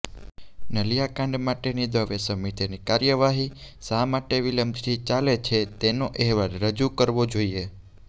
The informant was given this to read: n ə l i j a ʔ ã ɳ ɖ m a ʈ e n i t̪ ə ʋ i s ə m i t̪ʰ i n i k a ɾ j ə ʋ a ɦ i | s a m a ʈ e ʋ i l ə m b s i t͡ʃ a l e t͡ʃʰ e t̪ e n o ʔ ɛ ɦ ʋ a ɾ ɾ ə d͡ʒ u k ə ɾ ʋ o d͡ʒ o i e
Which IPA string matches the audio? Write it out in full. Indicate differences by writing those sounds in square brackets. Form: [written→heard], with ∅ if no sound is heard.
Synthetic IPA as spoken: n ə l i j a [ʔ→k] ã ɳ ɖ m a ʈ e n i [t̪→d̪] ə ʋ [i→e] s ə m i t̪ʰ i n i k a ɾ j ə ʋ a ɦ i | s a m a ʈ e ʋ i l ə m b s i t͡ʃ a l e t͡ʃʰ e t̪ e n o ʔ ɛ ɦ ʋ a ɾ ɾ ə d͡ʒ u k ə ɾ ʋ o d͡ʒ o i e